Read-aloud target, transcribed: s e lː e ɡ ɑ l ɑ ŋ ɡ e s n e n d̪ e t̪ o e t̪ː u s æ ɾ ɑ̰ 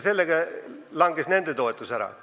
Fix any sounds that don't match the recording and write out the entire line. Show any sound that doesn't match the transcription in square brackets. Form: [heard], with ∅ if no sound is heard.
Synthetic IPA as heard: s e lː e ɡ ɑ l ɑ ŋ ɡ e s n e n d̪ e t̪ o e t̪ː u s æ ɾ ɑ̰

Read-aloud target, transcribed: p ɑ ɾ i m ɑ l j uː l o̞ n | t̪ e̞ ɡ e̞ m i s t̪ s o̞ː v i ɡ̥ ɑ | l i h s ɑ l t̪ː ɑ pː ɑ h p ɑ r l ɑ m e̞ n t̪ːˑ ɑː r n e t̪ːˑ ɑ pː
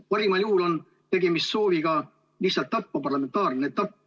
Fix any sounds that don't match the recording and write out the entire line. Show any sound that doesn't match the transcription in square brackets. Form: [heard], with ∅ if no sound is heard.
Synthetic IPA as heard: p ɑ ɾ i m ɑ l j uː l o̞ n | t̪ e̞ ɡ e̞ m i s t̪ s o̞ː v i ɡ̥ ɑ | l i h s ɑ l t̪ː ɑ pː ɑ [∅] p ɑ r l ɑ m e̞ n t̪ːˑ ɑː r n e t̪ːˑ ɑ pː

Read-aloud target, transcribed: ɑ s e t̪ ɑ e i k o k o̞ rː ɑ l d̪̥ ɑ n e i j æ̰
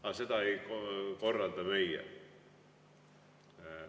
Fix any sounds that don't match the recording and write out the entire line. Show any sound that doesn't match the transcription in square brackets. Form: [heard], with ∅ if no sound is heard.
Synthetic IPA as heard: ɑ s e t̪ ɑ e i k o k o̞ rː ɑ l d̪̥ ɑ [m] e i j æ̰

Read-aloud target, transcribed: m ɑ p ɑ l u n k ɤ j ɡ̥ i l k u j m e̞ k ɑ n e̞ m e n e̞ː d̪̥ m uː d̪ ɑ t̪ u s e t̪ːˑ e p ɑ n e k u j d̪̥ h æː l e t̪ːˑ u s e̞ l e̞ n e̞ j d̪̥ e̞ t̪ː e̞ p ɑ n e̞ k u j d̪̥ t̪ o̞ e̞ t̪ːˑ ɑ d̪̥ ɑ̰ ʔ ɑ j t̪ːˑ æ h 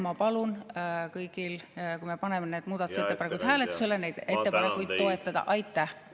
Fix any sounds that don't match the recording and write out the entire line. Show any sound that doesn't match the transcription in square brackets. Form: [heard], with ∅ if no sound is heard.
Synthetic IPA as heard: m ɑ p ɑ l u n k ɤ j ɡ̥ i l k u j m e̞ [p] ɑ n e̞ m e n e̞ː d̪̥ m uː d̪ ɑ t̪ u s e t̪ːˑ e p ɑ n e k u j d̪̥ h æː l e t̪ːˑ u s e̞ l e̞ n e̞ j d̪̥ e̞ t̪ː e̞ p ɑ n e̞ k u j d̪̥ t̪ o̞ e̞ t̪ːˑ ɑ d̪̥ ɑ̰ ʔ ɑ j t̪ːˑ æ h

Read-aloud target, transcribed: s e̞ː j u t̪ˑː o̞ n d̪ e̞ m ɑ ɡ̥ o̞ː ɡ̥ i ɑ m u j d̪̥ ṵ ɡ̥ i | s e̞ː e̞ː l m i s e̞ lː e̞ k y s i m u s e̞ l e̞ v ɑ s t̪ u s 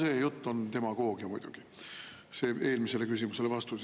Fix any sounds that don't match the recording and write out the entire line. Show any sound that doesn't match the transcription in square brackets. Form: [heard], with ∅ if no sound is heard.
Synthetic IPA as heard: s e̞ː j u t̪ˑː o̞ n [t̪] e̞ m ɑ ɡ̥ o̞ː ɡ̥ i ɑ m u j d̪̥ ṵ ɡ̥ i | s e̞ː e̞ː l m i s e̞ [l] e̞ k y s i m u s e̞ l e̞ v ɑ s t̪ u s

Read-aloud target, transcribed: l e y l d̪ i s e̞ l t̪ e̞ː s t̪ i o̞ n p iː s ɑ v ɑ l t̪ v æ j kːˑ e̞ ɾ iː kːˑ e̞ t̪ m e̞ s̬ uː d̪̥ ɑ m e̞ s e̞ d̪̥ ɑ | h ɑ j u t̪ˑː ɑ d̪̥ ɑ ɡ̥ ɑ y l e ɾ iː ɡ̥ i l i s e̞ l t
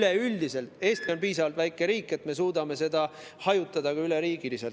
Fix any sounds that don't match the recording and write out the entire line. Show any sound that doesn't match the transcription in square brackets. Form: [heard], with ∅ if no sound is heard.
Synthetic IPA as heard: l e y l d̪ i s e̞ l t̪ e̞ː s t̪ i o̞ n p iː s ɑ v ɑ l t̪ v æ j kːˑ e̞ ɾ iː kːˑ e̞ t̪ m e̞ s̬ uː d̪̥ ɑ m e̞ s e̞ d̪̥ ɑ | h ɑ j u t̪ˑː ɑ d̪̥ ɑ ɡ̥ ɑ y l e ɾ iː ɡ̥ i l i s e̞ l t

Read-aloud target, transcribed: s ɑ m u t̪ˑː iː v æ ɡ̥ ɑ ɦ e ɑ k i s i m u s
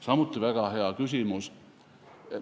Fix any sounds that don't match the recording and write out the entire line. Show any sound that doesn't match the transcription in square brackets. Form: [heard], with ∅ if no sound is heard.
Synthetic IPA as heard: s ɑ m u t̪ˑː [i] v æ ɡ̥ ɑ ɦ e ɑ k [y] s i m u s

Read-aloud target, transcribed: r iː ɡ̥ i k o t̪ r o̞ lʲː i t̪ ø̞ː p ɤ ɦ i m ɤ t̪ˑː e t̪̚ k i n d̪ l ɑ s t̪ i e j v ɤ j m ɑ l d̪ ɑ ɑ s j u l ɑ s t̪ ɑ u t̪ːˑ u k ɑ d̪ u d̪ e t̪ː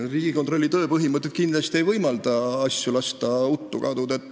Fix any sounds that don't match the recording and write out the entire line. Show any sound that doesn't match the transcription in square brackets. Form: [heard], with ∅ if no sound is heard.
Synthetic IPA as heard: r iː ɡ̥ i k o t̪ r o̞ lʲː i t̪ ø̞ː p ɤ ɦ i m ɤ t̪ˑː e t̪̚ k i n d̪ l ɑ s t̪ i e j v ɤ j m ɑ l d̪ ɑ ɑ s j u l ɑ s t̪ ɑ u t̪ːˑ u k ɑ d̪ u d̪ e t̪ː

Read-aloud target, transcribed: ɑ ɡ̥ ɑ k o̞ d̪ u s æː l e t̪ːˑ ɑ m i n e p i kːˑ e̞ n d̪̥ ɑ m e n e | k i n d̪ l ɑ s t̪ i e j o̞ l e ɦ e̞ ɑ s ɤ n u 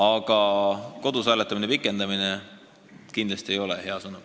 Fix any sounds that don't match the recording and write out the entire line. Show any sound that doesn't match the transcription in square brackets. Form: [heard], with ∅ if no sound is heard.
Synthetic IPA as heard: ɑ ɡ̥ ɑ k o̞ d̪ u s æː l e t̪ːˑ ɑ m i n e p i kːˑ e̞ n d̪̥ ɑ m [i] n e | k i n d̪ l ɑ s t̪ i e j o̞ l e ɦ e̞ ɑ s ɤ n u

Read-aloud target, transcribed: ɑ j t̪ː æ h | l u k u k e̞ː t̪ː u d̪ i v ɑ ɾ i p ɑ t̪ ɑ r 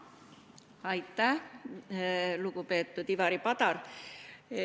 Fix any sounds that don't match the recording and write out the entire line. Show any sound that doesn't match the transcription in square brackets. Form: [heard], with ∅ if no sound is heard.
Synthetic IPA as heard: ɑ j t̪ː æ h | l u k u [p] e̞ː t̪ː u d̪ i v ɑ ɾ i p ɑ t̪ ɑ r

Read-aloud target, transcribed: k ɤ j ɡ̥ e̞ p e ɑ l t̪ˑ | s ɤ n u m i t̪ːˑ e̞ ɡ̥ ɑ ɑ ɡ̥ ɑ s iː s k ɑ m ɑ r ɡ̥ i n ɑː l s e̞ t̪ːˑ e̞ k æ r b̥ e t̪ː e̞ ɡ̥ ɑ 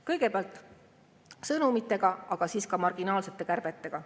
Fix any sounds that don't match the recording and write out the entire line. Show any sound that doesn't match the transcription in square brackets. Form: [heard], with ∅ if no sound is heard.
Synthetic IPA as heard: k ɤ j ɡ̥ e̞ p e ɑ l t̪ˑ | s ɤ n u m i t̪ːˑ e̞ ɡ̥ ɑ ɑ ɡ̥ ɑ s iː s k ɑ m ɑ r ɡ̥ i n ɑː l s e̞ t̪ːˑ e̞ k æ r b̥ e t̪ː e̞ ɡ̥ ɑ

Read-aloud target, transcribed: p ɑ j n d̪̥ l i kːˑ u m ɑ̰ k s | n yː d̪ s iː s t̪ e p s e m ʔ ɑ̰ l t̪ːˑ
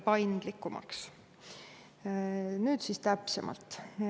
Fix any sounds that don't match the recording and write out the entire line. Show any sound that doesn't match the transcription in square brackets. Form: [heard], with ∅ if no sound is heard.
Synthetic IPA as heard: p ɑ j n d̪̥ l i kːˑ u m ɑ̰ k s | n yː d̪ s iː s t̪ [æ] p s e m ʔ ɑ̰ l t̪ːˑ

